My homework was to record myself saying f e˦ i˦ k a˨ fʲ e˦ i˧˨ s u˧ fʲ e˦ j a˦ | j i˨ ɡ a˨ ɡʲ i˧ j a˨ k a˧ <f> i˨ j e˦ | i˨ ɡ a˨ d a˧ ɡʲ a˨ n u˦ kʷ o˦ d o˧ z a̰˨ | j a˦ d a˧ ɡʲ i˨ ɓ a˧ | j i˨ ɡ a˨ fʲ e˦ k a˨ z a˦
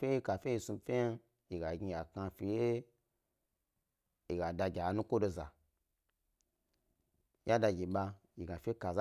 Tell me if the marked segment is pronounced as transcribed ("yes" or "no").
yes